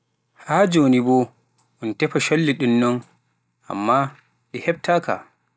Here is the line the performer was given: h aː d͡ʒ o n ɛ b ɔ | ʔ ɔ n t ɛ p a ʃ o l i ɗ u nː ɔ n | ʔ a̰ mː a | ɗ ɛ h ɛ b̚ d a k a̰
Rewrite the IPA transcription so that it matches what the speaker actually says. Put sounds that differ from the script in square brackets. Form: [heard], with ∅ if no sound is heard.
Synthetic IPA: h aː d͡ʒ o n [i] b ɔ | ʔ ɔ n t ɛ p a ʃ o [lː] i ɗ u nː ɔ n | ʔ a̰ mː a | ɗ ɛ h ɛ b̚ [t] a k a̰